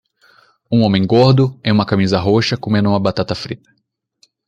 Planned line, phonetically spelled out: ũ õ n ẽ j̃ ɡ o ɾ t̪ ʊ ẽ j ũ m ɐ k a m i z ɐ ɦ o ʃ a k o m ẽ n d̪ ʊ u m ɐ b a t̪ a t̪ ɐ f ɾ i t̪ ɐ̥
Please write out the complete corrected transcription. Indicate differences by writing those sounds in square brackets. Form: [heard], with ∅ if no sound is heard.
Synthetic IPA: ũ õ [m] ẽ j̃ ɡ o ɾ [d̪] ʊ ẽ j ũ m ɐ k a m i z ɐ ɦ o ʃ [ɐ] k o m ẽ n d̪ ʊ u m ɐ b a t̪ a t̪ ɐ f ɾ i t̪ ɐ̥